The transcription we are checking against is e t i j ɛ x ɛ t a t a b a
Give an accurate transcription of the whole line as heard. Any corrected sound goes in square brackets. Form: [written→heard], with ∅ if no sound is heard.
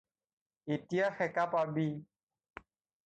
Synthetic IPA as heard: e t i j [ɛ→a] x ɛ [t→k] a [t→p] a b [a→i]